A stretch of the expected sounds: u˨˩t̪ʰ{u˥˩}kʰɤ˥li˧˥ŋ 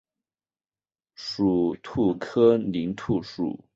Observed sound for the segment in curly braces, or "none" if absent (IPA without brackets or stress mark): u˥˩